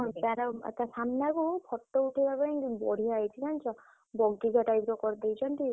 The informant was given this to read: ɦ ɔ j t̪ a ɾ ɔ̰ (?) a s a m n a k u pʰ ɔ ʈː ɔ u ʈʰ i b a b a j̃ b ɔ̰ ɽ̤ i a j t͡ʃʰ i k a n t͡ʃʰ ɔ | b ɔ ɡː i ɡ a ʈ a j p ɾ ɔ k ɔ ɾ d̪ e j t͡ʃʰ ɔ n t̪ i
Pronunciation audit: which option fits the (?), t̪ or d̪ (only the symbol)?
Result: t̪